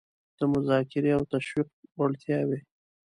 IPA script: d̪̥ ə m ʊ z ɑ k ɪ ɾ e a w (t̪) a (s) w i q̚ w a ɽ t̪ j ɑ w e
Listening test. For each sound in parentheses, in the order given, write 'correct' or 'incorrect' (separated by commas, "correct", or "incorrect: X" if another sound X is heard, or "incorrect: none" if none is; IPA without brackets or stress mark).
correct, incorrect: ʃ